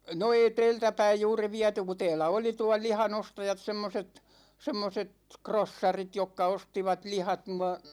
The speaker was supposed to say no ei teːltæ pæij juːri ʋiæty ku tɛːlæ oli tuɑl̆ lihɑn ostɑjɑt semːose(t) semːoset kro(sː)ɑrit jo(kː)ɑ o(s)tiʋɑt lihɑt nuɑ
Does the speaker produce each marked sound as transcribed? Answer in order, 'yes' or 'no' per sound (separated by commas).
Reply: yes, yes, yes, yes